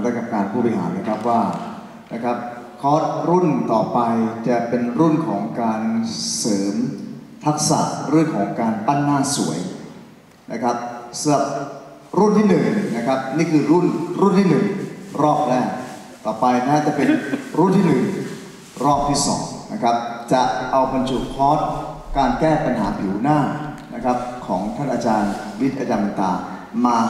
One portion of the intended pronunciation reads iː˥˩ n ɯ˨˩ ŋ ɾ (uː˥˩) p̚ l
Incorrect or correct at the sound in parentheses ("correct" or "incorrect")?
incorrect